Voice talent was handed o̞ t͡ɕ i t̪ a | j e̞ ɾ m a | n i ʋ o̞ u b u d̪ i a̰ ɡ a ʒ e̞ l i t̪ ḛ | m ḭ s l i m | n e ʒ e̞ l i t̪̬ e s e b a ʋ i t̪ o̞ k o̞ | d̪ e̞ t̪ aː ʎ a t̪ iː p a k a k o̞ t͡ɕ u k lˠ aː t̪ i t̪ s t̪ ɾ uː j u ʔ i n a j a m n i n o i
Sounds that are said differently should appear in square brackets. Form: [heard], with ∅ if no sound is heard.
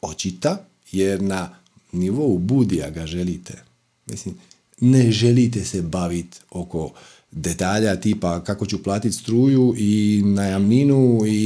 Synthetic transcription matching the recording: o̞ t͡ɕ i t̪ a | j e̞ ɾ [n] a | n i ʋ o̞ u b u d̪ i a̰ ɡ a ʒ e̞ l i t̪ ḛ | m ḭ s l i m | n e ʒ e̞ l i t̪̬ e s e b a ʋ i t̪ o̞ k o̞ | d̪ e̞ t̪ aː ʎ a t̪ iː p a k a k o̞ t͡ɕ u [p] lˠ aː t̪ i t̪ s t̪ ɾ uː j u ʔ i n a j a m n i n [u] i